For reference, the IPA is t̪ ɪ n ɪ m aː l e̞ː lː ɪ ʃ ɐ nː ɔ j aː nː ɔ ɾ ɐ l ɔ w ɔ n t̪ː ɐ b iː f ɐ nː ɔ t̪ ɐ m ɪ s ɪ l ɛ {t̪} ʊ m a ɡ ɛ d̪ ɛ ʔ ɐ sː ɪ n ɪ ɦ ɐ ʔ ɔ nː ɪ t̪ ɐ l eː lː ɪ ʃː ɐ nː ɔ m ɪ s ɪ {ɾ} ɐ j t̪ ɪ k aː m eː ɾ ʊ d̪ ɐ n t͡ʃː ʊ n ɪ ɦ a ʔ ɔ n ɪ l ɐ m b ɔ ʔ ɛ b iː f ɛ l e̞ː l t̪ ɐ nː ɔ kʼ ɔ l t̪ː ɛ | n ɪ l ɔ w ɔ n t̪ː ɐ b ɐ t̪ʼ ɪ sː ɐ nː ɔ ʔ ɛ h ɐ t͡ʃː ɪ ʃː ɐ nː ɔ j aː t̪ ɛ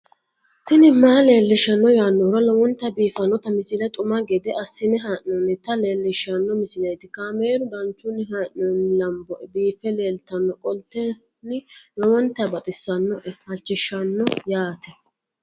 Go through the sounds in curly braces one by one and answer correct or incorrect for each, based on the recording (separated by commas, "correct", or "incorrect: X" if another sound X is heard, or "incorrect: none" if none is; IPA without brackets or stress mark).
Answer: incorrect: t̪ʼ, incorrect: l